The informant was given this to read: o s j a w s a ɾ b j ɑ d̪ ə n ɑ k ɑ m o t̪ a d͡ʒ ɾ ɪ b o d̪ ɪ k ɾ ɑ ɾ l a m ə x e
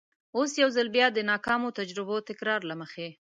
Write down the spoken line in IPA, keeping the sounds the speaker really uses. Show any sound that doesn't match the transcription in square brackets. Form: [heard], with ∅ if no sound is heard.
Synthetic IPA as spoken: o s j a w [z] a [l] b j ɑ d̪ ə n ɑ k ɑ m o t̪ a d͡ʒ ɾ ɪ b o [t̪] ɪ k ɾ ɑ ɾ l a m ə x e

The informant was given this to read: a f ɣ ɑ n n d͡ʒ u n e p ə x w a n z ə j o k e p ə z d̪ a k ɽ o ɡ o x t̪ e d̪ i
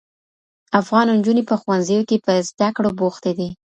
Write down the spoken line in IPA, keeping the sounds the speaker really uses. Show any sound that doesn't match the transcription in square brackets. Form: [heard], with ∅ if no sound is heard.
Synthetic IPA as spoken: a f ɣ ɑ n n d͡ʒ u n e p ə x w a n z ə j o k e p ə z d̪ a k ɽ o [b] o x t̪ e d̪ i

